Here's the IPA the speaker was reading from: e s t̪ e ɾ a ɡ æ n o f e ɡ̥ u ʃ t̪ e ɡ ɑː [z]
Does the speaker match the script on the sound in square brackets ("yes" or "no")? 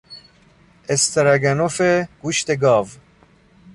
no